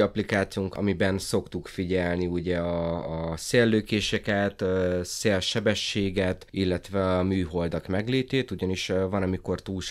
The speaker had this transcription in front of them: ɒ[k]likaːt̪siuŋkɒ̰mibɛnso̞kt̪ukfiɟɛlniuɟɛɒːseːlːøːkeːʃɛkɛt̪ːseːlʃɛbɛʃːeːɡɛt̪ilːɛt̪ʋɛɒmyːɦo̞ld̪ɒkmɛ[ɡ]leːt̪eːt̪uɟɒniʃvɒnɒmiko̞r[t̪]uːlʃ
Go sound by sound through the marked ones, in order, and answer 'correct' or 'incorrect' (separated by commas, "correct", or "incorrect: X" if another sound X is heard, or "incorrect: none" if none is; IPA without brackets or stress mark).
incorrect: p, correct, correct